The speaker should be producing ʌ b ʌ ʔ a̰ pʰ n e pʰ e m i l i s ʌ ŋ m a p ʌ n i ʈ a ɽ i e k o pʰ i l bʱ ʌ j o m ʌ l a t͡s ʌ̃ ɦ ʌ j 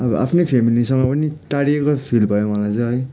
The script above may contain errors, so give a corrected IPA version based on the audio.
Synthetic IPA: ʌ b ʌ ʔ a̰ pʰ n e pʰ e m i l i s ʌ ŋ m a p ʌ n i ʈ a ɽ i e k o pʰ i l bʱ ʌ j o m ʌ l a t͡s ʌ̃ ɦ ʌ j